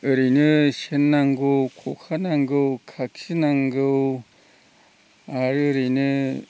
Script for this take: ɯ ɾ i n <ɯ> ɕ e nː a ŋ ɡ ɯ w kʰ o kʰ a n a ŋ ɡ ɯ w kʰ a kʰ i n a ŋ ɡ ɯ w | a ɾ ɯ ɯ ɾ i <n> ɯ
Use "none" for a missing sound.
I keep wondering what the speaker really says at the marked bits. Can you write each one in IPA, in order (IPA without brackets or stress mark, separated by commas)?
ɯ, n